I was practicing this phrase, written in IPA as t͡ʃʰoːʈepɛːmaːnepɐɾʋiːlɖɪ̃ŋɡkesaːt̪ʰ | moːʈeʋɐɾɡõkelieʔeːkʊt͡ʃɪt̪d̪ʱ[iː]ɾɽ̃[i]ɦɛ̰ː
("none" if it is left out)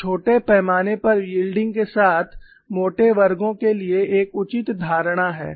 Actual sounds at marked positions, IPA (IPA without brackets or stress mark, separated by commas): aː, a